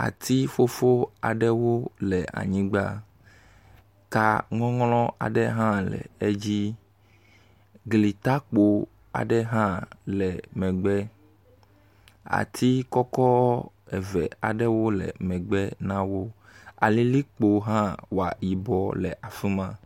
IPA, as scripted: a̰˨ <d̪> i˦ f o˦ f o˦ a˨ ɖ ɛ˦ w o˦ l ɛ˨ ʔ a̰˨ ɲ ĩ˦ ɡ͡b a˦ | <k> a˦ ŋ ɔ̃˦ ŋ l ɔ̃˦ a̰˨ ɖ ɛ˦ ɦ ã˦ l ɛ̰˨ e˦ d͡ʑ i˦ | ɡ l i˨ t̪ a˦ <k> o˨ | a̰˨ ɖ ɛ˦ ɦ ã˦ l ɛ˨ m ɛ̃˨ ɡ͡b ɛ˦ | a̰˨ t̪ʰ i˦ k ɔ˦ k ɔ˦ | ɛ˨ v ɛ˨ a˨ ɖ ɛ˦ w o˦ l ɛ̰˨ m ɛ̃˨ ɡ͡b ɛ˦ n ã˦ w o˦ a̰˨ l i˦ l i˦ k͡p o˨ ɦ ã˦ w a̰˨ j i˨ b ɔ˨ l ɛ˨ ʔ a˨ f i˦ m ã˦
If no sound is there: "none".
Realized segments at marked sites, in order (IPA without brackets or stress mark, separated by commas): t̪, k, k͡p